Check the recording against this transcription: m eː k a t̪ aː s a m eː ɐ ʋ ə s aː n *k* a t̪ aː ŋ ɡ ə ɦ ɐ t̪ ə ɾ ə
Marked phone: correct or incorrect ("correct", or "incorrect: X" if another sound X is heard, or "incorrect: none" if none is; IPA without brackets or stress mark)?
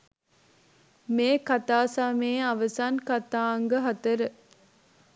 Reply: correct